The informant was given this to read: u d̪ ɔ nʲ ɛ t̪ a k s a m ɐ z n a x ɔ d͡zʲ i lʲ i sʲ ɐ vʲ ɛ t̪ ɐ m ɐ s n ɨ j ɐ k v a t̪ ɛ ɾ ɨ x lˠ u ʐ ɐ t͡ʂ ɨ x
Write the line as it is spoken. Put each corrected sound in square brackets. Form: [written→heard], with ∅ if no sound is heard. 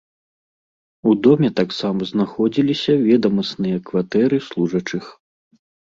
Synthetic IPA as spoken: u d̪ ɔ [nʲ→mʲ] ɛ t̪ a k s a m ɐ z n a x ɔ d͡zʲ i lʲ i sʲ ɐ vʲ ɛ [t̪→d̪] ɐ m ɐ s n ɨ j ɐ k v a t̪ ɛ ɾ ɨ [x→s] lˠ u ʐ ɐ t͡ʂ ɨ x

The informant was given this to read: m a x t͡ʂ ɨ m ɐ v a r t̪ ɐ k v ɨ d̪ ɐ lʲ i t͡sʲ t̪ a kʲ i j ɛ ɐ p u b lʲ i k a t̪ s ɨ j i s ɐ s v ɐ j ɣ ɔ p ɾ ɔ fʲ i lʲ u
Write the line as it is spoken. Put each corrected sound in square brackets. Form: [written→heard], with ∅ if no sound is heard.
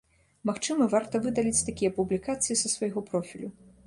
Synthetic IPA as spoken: m a x t͡ʂ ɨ m ɐ v a r t̪ ɐ [k→∅] v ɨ d̪ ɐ lʲ i t͡sʲ t̪ a kʲ i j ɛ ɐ p u b lʲ i k a t̪ s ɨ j i s ɐ s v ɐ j ɣ ɔ p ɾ ɔ fʲ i lʲ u

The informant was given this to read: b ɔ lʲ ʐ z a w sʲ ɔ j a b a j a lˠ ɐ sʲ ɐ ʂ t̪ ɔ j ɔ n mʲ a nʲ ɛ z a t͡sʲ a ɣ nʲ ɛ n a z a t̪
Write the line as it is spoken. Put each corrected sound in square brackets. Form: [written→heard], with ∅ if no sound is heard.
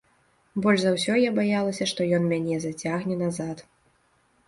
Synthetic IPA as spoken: b ɔ lʲ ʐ z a w sʲ ɔ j a b a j a lˠ ɐ sʲ ɐ ʂ t̪ ɔ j ɔ n mʲ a nʲ ɛ z a t͡sʲ a ɣ nʲ ɛ n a z a t̪

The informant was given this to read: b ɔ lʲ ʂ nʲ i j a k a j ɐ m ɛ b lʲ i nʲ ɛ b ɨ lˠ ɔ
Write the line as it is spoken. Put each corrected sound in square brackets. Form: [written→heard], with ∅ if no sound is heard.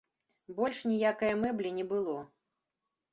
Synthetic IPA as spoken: b ɔ lʲ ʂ nʲ i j a k [a→ɐ] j ɐ m ɛ b lʲ i nʲ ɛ b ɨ lˠ ɔ

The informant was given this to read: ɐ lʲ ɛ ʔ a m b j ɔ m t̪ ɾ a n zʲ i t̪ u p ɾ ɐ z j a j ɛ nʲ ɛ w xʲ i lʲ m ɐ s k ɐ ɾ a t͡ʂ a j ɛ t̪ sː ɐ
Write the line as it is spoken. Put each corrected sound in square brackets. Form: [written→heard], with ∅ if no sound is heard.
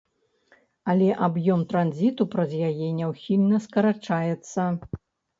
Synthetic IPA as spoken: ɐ lʲ ɛ ʔ a [m→∅] b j ɔ m t̪ ɾ a n zʲ i t̪ u p ɾ ɐ z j a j ɛ nʲ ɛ w xʲ i lʲ [m→n] ɐ s k ɐ ɾ a t͡ʂ a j ɛ t̪ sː ɐ

